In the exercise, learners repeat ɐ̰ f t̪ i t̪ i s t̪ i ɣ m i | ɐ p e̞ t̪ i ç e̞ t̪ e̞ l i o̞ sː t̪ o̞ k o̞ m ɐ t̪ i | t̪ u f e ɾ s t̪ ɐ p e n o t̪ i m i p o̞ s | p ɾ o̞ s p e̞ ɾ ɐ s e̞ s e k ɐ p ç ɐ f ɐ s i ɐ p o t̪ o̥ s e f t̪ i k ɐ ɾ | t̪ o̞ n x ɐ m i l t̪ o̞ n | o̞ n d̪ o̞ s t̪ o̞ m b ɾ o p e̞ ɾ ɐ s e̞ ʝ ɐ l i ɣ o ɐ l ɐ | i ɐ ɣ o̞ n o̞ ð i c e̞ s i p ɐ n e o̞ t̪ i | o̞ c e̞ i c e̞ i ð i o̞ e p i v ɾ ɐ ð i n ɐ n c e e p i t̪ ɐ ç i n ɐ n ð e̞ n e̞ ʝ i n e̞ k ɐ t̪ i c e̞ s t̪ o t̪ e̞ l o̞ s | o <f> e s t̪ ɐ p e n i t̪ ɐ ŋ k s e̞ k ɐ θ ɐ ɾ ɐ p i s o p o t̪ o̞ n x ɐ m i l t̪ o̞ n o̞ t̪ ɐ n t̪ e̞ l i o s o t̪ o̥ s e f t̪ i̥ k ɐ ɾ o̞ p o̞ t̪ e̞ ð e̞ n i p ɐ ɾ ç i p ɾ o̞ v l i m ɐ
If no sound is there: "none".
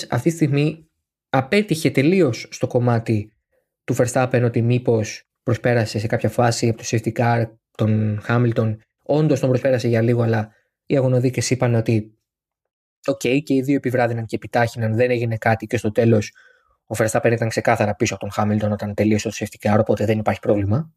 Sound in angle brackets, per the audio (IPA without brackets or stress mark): f